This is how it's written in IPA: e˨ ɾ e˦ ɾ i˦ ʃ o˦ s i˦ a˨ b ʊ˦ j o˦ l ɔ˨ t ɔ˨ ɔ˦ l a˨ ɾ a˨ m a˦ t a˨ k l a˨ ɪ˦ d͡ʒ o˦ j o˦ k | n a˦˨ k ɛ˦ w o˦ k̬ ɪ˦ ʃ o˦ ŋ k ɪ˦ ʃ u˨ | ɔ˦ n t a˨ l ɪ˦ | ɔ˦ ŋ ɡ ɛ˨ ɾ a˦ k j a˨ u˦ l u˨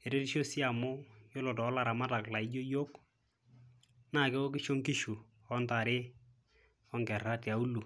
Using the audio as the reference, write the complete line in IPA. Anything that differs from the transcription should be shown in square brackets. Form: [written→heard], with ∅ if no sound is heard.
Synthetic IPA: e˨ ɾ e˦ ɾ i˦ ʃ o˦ s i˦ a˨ [b→m] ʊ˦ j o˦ l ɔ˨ t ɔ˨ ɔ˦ l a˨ ɾ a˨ m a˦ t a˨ k l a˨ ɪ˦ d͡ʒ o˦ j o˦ k | n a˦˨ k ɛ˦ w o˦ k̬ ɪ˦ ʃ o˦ ŋ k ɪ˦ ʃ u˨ | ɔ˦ n t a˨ [l→ɾ] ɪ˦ | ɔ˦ ŋ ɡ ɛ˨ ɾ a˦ [k→t] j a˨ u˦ l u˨